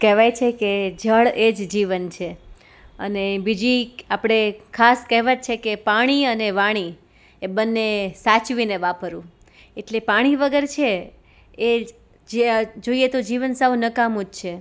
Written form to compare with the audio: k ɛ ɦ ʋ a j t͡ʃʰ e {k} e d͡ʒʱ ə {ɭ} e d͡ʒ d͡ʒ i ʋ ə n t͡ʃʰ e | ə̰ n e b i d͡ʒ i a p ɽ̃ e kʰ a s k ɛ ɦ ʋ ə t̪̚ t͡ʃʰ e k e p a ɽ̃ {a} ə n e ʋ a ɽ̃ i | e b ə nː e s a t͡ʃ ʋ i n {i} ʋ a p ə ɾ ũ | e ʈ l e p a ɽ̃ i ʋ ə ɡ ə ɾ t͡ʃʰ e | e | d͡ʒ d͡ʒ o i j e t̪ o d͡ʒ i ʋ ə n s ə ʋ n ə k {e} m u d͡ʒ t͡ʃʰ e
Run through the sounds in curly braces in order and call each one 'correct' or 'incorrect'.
correct, correct, incorrect: i, incorrect: e, incorrect: a

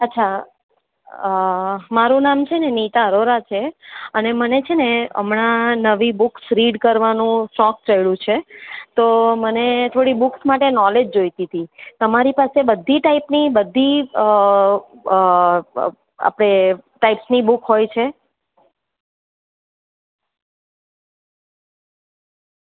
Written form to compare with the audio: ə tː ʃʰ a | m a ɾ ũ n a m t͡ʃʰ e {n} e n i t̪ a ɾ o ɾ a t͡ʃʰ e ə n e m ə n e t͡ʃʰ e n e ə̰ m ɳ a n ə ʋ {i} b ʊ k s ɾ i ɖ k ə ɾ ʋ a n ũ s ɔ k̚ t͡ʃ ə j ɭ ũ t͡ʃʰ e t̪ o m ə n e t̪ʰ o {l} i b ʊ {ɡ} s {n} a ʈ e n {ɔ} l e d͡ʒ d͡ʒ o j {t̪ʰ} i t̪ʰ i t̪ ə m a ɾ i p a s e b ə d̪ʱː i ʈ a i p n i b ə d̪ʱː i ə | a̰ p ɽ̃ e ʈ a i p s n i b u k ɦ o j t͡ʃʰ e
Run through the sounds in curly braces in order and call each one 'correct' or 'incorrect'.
correct, correct, incorrect: ɽ, incorrect: k, incorrect: m, correct, incorrect: t̪

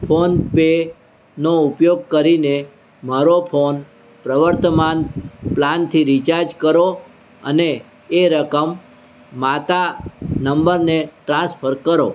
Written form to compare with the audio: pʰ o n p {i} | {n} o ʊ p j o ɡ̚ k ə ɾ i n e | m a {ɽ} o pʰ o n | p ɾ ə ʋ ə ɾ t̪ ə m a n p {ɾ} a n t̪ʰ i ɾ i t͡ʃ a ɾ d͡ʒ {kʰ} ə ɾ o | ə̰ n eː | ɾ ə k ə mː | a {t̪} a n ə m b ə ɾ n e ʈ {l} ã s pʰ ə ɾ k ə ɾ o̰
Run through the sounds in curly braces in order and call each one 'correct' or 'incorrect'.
incorrect: e, correct, incorrect: ɾ, incorrect: l, incorrect: k, correct, incorrect: ɾ

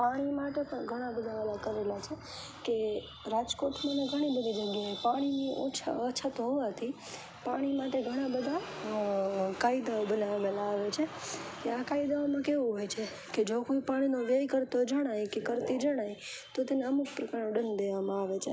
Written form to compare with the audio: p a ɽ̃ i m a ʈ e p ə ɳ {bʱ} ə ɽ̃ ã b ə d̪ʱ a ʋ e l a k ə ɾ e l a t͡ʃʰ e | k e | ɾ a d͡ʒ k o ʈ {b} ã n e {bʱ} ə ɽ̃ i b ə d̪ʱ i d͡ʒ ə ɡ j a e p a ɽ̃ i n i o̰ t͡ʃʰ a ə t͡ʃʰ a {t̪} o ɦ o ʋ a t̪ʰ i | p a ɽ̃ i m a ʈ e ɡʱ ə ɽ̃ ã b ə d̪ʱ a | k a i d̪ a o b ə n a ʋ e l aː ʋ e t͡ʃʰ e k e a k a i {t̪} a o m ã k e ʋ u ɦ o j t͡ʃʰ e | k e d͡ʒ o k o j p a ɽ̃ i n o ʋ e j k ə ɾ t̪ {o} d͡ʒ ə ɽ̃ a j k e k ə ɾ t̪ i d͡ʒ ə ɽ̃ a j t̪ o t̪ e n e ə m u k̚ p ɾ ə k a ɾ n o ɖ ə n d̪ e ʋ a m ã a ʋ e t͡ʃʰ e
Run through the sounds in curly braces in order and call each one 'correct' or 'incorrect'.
incorrect: ɡʱ, incorrect: m, incorrect: ɡʱ, correct, incorrect: d̪, correct

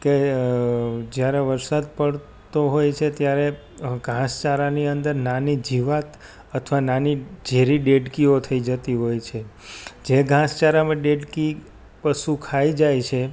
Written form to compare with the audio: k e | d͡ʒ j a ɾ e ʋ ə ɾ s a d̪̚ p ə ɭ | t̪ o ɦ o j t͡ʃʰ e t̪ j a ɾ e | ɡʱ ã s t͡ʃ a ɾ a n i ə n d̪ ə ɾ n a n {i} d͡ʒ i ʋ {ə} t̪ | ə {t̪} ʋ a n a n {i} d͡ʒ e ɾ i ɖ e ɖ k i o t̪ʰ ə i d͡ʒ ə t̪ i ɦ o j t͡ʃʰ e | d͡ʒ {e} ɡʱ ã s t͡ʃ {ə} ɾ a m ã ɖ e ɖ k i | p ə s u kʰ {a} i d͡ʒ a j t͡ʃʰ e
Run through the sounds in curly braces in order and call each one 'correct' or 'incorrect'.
correct, incorrect: a, incorrect: t̪ʰ, correct, correct, incorrect: a, correct

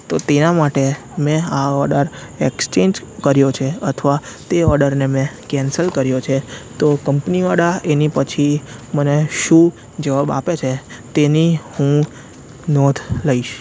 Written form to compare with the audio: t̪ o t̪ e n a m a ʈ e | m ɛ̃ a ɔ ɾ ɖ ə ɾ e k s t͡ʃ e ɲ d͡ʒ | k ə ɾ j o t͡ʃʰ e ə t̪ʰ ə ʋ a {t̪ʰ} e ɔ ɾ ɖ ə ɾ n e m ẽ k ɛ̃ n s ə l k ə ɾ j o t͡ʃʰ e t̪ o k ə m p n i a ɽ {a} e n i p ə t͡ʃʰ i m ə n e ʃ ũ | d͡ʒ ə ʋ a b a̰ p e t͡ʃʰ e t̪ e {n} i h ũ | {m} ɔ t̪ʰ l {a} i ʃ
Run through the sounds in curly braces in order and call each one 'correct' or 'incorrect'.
incorrect: t̪, correct, correct, incorrect: n, incorrect: ə

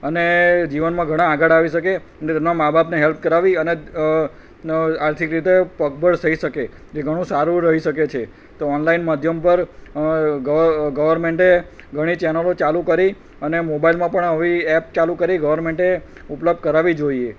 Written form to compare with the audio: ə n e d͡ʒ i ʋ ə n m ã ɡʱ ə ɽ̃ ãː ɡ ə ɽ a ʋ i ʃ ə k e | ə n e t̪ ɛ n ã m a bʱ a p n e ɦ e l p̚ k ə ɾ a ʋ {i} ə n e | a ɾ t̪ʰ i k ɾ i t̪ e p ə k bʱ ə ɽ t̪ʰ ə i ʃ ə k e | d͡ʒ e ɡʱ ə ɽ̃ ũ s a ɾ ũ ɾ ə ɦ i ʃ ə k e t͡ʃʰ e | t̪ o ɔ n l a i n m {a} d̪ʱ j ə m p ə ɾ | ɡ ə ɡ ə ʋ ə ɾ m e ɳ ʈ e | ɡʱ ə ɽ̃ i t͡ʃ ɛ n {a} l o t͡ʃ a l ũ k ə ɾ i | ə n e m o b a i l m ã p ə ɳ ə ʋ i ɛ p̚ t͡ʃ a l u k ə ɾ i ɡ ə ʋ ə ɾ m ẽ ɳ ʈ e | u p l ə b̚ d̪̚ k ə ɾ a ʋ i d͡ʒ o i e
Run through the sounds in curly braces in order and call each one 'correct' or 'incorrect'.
correct, incorrect: ə, incorrect: ə

